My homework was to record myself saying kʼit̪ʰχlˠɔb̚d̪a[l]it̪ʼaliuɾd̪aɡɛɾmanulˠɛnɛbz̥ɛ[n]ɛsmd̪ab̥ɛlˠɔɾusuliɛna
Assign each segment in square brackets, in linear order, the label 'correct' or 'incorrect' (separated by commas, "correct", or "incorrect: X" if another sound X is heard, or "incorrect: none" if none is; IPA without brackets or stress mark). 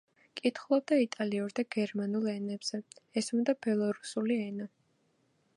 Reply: incorrect: none, incorrect: none